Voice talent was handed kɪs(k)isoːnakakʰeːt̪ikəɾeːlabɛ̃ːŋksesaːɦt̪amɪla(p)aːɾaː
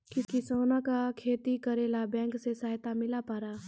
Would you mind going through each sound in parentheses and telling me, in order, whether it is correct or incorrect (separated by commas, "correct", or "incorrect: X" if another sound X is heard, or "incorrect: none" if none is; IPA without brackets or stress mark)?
correct, correct